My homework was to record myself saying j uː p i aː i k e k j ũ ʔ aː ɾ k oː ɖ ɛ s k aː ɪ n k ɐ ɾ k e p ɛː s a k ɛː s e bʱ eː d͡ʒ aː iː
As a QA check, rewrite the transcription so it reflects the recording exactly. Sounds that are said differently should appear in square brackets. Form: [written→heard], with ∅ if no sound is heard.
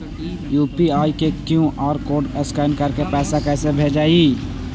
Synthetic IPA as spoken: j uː p i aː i k e k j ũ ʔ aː ɾ k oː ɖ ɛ s k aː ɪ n k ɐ ɾ k e p ɛː s a k ɛː s e bʱ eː d͡ʒ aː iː

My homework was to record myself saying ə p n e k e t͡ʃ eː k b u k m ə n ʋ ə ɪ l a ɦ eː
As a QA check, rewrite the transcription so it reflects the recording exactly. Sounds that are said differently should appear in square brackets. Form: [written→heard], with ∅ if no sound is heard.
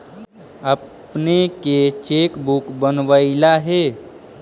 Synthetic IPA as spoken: ə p n e k e t͡ʃ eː k b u k [m→b] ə n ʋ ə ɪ l a ɦ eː

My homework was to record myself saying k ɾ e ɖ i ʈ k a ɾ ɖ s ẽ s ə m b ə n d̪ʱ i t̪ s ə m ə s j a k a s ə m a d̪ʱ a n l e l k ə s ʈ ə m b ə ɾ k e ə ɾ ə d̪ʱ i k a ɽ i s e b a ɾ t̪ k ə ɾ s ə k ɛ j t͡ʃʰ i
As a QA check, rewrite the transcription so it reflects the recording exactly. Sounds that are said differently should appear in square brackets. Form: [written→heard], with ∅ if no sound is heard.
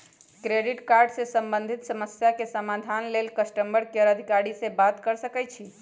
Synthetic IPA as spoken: k ɾ e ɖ i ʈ k a ɾ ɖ s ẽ s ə m b ə n d̪ʱ i t̪ s ə m ə s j a k [a→e] s ə m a d̪ʱ a n l e l k ə s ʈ ə m b ə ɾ k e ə ɾ ə d̪ʱ i k a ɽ i s e b a [ɾ→∅] t̪ k ə ɾ s ə k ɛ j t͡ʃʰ i

